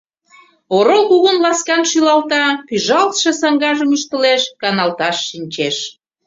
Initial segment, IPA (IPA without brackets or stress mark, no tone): o